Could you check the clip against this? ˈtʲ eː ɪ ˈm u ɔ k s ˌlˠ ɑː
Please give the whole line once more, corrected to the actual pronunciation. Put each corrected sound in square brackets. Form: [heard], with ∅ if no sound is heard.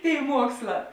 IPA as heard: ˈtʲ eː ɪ ˈm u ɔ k s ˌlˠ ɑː